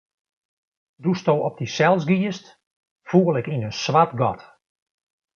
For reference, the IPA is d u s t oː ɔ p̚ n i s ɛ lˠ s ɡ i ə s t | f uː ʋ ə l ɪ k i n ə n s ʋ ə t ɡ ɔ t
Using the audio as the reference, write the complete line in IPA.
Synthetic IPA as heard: d u s t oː ɔ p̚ d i s ɛ lˠ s ɡ i ə s t | f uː ə l ɪ k i n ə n s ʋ a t ɡ ɔ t